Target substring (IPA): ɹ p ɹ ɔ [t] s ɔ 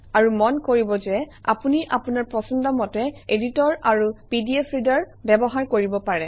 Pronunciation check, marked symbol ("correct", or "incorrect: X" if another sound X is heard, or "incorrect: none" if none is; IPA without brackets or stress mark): incorrect: none